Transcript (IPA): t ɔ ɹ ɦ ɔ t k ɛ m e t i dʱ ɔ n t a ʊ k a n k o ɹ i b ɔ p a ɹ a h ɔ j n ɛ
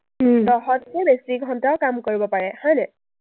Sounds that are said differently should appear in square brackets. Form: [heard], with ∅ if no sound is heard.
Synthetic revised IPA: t ɔ [∅] ɦ ɔ t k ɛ [b] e [s] i [ɡʱ] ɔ n t a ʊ k a [m] k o ɹ i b ɔ p a ɹ [ɛ] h ɔ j n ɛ